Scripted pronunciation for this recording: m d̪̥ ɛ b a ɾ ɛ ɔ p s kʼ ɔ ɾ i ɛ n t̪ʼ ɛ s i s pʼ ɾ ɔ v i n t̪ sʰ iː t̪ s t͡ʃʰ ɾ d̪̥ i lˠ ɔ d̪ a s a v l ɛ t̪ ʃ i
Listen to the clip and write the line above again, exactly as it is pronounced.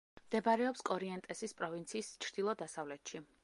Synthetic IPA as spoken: m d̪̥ ɛ b a ɾ ɛ ɔ p s kʼ ɔ ɾ i ɛ n t̪ʼ ɛ s i s pʼ ɾ ɔ v i n t̪ sʰ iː s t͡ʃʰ ɾ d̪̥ i lˠ ɔ d̪ a s a v l ɛ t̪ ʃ i